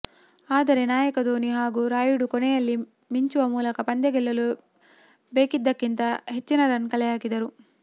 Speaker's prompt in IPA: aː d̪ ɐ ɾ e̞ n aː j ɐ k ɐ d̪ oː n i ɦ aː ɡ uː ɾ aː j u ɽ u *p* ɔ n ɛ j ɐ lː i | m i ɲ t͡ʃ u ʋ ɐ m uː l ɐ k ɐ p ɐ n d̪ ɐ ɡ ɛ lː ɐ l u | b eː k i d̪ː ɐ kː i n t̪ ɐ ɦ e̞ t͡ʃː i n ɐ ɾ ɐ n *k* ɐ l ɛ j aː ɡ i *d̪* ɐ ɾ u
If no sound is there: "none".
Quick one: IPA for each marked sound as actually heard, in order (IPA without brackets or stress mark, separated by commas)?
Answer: k, k, d̪